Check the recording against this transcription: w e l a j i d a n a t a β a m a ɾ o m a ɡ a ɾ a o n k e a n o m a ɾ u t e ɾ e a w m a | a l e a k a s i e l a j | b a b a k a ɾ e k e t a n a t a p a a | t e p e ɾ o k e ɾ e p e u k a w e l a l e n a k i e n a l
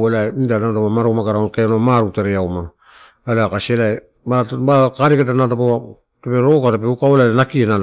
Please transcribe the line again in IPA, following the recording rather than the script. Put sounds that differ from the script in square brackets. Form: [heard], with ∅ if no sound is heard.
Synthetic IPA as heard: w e l a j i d a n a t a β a m a ɾ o m a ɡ a ɾ a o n k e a n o m a ɾ u t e ɾ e a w m a | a l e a k a s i e l a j | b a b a k a ɾ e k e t a n a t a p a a | t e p e ɾ o k [a] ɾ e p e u k a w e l a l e n a k i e n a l

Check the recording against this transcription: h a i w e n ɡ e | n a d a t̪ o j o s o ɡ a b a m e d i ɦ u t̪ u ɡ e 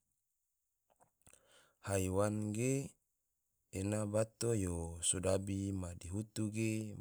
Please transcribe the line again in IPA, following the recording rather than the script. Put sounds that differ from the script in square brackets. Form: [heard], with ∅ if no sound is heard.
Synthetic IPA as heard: h a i w [a] n ɡ e | n a [b] a t̪ o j o s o [d] a b [i] m [a] d i ɦ u t̪ u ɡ e

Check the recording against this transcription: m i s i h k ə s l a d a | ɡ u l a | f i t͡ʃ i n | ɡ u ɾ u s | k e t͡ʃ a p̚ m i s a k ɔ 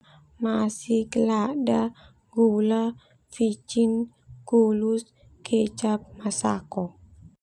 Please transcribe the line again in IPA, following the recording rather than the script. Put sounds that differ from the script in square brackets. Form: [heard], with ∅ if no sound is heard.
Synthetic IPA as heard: m [a] s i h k ə [∅] l a d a | ɡ u l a | f i t͡ʃ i n | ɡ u [l] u s | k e t͡ʃ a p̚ m [a] s a k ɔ

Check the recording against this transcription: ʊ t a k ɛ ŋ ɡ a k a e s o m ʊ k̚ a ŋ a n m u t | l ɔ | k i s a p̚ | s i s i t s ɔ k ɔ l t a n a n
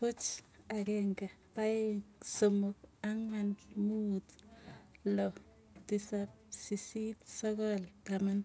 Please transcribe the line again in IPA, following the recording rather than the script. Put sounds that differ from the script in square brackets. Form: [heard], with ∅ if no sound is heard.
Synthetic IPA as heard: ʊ [t͡ʃ] a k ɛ ŋ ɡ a [p] a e s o m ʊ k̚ a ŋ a n m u t | l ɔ | [t] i s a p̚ | s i s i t s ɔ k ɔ l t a [m] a n

